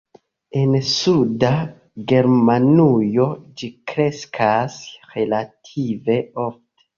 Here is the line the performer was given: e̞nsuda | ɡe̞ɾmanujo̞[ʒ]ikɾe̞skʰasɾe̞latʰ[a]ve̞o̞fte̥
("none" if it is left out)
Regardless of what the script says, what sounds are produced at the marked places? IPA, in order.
d͡ʒ, i

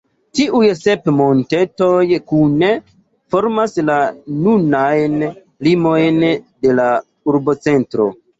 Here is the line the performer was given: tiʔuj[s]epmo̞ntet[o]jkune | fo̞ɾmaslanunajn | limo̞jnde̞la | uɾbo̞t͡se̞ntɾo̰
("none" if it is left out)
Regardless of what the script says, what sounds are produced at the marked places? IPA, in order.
s, o

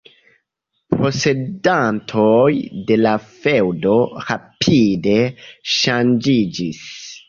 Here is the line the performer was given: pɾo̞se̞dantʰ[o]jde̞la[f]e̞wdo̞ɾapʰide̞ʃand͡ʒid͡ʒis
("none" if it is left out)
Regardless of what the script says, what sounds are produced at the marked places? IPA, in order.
o, f

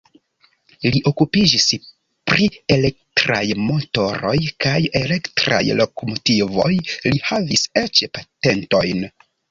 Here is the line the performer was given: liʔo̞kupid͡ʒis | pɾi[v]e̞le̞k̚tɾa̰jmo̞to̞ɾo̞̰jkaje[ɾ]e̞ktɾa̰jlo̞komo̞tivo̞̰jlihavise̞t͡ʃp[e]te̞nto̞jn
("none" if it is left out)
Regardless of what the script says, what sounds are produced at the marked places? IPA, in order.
none, l, a

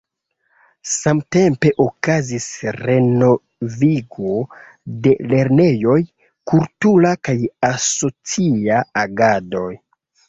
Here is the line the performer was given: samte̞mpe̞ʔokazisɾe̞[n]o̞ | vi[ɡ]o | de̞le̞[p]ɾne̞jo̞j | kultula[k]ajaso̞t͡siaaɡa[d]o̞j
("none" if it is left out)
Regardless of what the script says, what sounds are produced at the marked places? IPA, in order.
n, ɡ, none, k, d

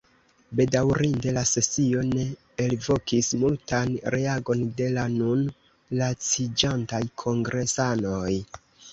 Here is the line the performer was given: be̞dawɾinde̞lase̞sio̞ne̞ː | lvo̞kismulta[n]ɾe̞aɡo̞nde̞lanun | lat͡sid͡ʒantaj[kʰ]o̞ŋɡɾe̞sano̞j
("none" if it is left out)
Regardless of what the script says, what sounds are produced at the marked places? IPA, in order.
n, kʰ

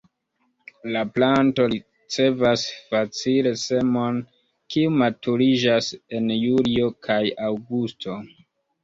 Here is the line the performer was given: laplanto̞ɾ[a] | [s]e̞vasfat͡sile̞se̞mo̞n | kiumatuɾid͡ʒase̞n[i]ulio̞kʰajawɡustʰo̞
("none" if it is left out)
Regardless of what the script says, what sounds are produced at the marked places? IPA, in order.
i, t͡s, j

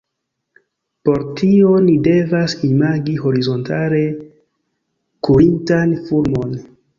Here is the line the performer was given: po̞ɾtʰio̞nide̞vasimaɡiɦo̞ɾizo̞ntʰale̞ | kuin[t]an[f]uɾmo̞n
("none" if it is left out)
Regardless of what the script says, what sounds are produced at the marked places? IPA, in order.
t, f

